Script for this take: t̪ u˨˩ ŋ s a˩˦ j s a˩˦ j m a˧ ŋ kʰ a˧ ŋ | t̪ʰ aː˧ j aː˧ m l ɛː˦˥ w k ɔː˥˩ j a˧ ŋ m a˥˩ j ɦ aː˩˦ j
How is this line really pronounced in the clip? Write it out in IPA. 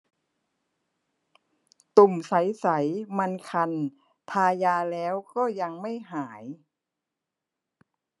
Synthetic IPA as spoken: t̪ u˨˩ m s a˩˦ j s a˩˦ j m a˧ n kʰ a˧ n | t̪ʰ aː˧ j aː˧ l ɛː˦˥ w k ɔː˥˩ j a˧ ŋ m a˥˩ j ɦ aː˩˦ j